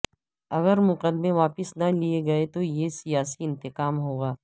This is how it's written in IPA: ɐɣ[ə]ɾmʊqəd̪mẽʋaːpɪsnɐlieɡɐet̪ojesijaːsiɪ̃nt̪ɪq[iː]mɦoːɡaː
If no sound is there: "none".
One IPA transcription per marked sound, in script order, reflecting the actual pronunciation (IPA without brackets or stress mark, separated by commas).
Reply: ə, aː